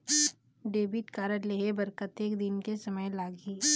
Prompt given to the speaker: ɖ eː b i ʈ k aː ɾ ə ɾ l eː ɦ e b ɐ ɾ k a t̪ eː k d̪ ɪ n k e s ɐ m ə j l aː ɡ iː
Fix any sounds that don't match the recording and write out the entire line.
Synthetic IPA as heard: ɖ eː b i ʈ k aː ɾ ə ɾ l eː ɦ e b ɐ ɾ k ə t̪ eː k d̪ ɪ n k e s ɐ m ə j l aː ɡ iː